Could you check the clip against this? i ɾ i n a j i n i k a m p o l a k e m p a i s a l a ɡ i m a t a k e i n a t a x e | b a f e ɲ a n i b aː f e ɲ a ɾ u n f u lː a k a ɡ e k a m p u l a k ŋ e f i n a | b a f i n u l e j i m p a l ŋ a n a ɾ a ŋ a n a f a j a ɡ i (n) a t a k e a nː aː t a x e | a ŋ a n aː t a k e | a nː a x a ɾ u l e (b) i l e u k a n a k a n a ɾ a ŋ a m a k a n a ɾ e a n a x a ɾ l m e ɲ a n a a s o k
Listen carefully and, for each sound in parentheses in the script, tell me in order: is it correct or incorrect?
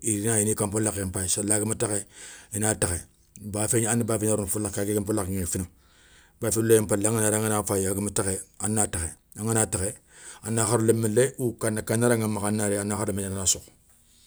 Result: incorrect, incorrect

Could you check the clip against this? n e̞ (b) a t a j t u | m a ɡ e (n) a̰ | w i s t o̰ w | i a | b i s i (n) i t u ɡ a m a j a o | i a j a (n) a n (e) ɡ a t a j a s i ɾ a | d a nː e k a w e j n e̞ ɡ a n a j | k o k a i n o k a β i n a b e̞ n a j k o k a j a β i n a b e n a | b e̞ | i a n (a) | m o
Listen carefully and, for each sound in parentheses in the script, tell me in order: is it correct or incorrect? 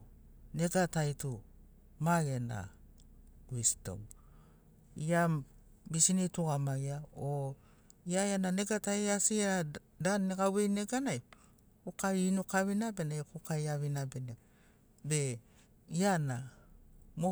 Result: incorrect, correct, correct, correct, correct, correct

